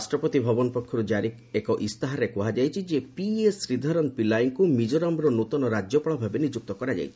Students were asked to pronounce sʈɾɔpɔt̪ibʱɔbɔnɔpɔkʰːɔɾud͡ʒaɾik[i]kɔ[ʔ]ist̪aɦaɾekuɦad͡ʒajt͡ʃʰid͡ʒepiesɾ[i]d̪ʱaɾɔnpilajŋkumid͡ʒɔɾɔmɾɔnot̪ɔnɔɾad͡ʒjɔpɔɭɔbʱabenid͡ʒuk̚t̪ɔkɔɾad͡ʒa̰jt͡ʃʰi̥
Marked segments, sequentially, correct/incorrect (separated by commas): incorrect, correct, correct